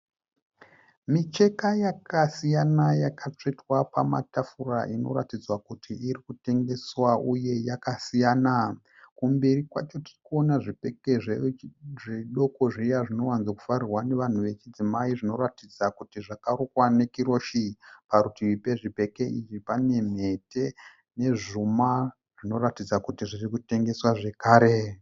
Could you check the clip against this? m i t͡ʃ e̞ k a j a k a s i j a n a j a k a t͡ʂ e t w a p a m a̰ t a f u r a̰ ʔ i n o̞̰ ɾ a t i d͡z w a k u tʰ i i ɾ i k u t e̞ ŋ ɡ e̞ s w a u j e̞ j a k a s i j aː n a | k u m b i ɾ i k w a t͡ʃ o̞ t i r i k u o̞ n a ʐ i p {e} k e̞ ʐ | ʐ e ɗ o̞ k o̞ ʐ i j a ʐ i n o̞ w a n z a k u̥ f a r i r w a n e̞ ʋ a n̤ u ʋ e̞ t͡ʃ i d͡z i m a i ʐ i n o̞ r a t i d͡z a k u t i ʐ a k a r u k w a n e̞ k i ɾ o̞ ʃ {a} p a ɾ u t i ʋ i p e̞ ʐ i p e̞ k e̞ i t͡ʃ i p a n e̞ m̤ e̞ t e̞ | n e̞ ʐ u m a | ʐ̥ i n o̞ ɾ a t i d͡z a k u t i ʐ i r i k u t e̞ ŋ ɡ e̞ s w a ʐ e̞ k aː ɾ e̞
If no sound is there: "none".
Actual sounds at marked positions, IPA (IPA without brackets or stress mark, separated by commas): e, i